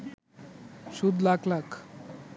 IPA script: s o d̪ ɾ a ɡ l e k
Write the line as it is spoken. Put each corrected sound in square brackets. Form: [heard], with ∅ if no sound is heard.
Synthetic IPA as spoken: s [u] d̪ [l] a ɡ l [a] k